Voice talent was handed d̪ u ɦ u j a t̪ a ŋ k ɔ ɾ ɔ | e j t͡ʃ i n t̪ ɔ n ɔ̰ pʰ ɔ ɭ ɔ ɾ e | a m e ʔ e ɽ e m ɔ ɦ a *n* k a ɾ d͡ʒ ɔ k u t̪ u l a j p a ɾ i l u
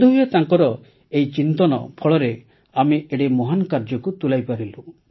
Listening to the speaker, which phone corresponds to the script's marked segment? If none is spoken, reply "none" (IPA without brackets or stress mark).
n